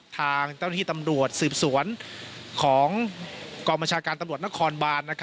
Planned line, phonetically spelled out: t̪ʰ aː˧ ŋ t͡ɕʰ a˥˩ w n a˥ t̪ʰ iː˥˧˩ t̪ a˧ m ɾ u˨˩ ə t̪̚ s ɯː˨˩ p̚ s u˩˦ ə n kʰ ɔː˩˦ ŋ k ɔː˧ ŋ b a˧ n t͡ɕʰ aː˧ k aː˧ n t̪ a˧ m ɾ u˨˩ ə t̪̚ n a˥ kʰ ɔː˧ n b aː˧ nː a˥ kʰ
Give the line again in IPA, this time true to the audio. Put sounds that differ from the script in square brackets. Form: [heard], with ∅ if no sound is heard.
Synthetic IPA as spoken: t̪ʰ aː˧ ŋ [t͡ɕ] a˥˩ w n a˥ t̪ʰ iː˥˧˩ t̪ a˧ m ɾ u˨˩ ə t̪̚ s ɯː˨˩ p̚ s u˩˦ ə n kʰ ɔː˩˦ ŋ k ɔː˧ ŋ b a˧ n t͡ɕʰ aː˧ k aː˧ n t̪ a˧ m ɾ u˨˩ ə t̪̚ n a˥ kʰ ɔː˧ n b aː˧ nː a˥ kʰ